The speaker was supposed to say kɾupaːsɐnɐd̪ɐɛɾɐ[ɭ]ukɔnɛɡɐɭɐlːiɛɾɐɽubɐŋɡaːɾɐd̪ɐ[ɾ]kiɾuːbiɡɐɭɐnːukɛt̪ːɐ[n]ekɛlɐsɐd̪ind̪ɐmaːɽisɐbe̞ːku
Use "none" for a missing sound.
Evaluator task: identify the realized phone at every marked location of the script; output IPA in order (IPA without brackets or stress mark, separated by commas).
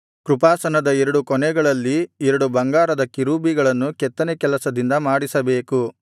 ɽ, none, n